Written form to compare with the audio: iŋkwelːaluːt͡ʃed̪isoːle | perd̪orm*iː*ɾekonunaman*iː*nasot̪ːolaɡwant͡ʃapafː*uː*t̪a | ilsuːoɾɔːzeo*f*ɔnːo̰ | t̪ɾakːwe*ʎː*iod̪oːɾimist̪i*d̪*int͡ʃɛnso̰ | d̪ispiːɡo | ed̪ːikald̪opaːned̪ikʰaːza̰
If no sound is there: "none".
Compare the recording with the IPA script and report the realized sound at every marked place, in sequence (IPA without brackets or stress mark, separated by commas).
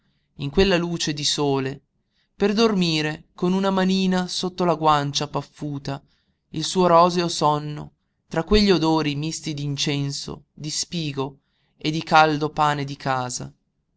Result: iː, iː, uː, s, ʎː, d̪